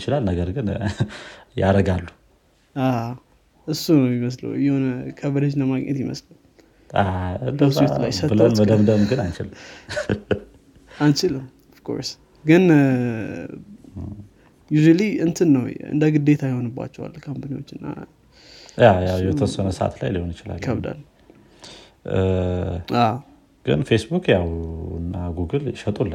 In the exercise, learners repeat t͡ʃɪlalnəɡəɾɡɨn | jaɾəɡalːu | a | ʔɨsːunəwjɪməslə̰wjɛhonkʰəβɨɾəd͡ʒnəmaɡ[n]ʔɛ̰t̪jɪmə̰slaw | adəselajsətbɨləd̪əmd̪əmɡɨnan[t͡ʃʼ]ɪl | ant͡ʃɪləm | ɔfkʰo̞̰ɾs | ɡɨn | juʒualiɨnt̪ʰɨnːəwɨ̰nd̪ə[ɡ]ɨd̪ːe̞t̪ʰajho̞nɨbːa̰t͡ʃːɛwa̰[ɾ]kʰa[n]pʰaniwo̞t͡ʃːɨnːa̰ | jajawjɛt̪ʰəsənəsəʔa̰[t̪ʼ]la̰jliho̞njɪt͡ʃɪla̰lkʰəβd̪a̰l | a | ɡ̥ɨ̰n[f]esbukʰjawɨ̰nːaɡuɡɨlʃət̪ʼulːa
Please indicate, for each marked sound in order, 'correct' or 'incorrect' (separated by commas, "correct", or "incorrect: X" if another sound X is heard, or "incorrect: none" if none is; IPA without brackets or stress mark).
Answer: incorrect: ɲ, incorrect: t͡ʃ, correct, incorrect: l, incorrect: m, incorrect: t̪, correct